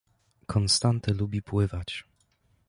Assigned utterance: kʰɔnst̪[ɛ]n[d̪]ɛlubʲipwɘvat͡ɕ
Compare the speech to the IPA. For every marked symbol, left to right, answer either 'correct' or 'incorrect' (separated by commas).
incorrect, incorrect